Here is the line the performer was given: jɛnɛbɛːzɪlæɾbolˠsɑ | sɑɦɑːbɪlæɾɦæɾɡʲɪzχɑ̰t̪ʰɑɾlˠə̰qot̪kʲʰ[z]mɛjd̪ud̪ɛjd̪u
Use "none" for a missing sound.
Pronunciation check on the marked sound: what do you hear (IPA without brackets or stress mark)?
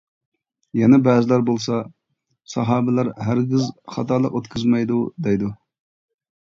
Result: z